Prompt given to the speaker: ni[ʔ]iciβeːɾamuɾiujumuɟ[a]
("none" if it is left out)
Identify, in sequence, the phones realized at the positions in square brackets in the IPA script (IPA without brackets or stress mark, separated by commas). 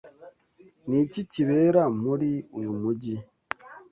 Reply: c, i